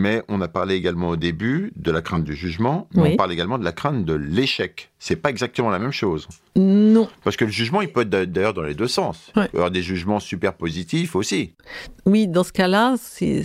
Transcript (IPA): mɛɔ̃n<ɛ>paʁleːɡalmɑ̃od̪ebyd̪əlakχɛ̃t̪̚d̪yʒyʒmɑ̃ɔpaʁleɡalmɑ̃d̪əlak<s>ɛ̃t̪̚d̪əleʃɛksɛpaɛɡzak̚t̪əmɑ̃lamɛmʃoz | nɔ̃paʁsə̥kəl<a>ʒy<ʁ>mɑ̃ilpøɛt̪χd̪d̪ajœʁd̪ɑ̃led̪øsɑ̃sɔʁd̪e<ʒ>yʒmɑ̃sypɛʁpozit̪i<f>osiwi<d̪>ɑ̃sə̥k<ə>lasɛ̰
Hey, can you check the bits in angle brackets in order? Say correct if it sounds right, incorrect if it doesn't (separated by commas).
incorrect, incorrect, incorrect, incorrect, correct, correct, correct, incorrect